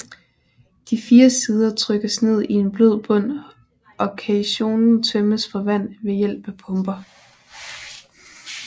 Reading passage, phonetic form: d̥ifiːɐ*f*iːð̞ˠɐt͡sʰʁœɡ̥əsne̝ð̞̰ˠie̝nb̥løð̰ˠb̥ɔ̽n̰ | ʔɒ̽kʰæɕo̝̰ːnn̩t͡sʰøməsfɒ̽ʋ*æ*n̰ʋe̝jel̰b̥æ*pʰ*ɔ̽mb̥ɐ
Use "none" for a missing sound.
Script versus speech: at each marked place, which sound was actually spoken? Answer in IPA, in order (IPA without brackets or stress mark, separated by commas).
s, æ, pʰ